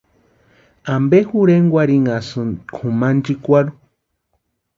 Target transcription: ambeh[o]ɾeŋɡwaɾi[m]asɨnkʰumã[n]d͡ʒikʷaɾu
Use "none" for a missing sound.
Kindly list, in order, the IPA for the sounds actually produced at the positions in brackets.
u, ŋ, n

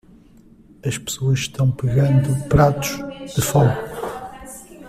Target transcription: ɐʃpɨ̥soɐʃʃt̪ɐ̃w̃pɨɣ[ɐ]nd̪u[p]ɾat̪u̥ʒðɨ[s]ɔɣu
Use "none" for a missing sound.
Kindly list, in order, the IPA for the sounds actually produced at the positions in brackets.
ɐ̃, p, f

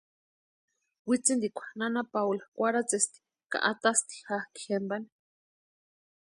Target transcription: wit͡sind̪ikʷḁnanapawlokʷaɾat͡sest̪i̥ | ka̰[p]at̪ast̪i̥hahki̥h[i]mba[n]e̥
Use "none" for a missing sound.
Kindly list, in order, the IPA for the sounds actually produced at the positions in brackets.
ʔ, e, n

